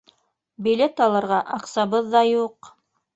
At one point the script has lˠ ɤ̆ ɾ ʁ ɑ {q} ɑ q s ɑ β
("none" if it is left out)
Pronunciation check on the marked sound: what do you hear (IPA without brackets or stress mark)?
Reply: ʔ